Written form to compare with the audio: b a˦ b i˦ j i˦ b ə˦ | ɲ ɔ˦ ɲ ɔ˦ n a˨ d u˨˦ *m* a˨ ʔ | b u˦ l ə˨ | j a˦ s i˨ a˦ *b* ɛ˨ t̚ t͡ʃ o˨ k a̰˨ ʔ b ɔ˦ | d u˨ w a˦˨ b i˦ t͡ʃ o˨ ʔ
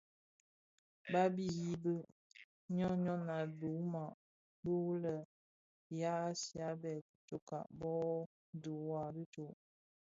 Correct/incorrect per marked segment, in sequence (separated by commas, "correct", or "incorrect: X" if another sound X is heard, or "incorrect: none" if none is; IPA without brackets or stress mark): correct, correct